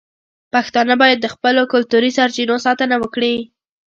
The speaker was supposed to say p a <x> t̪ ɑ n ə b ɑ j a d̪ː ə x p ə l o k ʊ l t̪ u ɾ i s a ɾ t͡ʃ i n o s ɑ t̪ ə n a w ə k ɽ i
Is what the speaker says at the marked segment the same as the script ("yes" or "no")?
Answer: yes